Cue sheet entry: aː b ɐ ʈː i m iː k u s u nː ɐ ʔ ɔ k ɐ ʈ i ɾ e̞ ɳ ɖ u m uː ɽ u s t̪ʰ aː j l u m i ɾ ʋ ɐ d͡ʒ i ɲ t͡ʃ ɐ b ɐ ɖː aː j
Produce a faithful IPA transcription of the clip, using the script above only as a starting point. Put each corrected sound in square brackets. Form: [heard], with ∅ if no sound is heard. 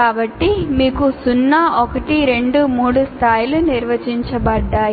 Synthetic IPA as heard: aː b ɐ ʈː i m iː k u s u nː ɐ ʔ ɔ k ɐ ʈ i ɾ e̞ ɳ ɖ u m uː ɽ u s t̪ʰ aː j l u [n] i ɾ ʋ ɐ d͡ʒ i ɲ t͡ʃ ɐ b ɐ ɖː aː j